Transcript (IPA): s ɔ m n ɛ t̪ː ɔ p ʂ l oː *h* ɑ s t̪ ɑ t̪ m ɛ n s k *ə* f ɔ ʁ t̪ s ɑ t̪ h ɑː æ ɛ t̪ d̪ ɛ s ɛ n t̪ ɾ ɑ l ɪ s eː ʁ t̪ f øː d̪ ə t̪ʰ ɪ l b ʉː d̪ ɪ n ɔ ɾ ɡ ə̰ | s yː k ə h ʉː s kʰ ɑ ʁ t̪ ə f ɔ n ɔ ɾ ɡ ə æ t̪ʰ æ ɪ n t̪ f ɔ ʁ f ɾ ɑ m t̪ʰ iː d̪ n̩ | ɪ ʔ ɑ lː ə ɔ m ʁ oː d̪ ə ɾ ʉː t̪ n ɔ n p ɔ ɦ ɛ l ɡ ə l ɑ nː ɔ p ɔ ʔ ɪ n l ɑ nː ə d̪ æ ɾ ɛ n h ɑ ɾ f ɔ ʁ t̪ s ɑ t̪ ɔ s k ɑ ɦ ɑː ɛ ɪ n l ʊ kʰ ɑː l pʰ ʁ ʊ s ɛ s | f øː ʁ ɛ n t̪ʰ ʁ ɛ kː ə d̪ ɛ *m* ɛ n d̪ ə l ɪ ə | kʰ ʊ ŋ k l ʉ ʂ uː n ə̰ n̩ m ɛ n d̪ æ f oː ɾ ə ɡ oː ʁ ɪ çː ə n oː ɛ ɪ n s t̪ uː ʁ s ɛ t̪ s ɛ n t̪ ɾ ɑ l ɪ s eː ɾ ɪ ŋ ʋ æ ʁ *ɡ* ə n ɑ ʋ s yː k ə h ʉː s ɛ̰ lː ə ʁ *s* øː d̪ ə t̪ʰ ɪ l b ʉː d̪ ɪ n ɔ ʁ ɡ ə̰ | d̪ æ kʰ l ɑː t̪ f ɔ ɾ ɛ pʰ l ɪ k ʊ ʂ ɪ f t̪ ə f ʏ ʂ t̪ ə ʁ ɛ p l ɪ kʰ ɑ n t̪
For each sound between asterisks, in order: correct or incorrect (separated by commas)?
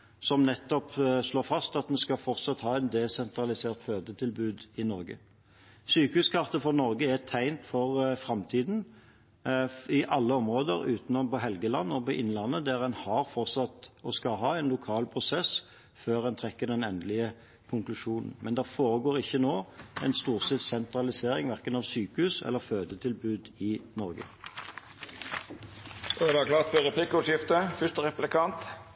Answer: incorrect, incorrect, incorrect, incorrect, incorrect